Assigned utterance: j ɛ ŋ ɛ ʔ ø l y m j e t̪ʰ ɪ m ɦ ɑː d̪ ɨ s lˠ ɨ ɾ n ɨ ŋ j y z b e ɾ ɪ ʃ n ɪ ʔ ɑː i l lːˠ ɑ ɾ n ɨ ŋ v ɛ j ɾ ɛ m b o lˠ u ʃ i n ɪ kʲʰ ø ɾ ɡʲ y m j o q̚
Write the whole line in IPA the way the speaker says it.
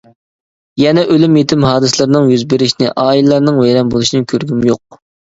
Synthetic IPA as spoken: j ɛ n ɛ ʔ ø l y m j e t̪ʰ ɪ m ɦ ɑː d̪ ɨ s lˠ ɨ ɾ n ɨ ŋ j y z b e ɾ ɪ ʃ n ɪ ʔ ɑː i l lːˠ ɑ ɾ n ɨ ŋ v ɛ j ɾ ɛ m b o lˠ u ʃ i n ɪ kʲʰ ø ɾ ɡʲ y m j o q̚